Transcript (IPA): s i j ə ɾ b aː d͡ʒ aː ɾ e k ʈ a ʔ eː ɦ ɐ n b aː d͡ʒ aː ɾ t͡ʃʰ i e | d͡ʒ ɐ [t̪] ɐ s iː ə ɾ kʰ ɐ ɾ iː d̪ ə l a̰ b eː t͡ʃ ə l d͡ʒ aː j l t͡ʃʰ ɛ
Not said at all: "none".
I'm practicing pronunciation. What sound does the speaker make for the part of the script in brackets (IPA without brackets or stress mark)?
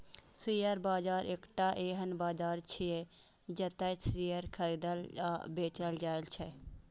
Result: t̪